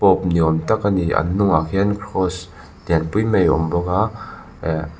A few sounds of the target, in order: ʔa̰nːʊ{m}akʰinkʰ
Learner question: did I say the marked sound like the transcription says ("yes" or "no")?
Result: no